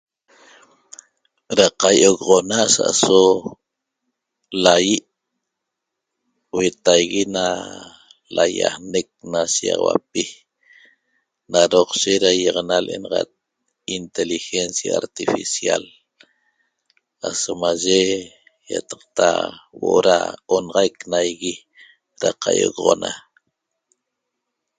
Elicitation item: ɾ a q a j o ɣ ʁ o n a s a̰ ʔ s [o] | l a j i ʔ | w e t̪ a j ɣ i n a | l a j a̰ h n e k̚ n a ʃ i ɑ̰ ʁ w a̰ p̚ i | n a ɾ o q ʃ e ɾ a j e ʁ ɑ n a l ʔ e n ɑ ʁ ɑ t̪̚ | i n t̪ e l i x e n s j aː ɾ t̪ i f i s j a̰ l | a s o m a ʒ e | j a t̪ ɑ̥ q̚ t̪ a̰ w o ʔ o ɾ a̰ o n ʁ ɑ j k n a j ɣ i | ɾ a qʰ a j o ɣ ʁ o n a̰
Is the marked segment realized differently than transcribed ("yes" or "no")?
no